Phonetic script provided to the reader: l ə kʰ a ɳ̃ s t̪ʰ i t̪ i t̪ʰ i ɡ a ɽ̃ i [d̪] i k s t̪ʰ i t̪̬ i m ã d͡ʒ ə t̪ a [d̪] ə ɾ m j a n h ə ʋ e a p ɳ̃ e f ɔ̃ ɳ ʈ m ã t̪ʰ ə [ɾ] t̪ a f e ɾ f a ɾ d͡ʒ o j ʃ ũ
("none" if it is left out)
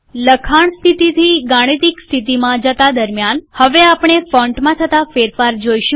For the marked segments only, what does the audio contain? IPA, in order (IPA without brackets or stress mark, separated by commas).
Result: t̪, d̪, none